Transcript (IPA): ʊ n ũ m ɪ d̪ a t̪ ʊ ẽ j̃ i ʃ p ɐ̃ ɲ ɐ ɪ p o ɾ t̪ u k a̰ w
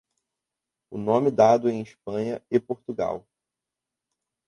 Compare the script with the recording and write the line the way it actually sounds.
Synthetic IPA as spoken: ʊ n õ m ɪ d̪ a d̪ ʊ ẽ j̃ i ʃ p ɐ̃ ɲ ɐ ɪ p o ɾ t̪ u ɡ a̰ w